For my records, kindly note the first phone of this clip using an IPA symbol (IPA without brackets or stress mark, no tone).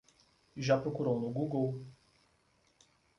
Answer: ʒ